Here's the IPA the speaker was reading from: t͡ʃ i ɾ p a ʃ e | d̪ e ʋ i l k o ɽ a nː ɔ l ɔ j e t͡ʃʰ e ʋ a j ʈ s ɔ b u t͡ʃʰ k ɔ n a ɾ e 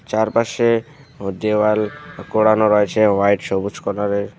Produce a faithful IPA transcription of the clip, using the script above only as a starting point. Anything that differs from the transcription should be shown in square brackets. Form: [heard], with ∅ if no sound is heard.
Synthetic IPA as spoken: t͡ʃ [a] ɾ p a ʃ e | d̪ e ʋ [a] l k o ɽ a [n] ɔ [ɾ] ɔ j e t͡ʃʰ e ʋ a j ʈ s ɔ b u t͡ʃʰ k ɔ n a ɾ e